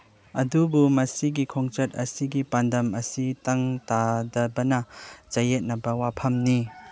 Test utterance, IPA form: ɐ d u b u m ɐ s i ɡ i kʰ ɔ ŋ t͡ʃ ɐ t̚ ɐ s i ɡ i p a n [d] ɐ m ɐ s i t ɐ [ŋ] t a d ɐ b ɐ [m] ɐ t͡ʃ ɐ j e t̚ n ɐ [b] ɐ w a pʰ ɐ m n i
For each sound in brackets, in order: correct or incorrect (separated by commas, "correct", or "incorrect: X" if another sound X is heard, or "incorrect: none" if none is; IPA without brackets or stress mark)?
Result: correct, correct, incorrect: n, correct